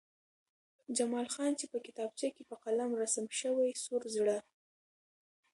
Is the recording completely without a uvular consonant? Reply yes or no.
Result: no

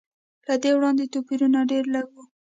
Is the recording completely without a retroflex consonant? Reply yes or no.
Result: no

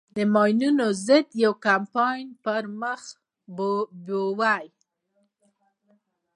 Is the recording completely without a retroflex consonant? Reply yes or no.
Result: yes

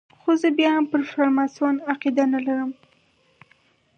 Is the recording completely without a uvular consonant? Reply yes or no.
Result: no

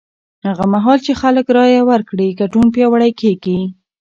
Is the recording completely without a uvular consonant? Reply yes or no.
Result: yes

